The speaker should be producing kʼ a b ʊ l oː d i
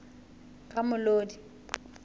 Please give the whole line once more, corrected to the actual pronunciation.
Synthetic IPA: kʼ a m ʊ l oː d i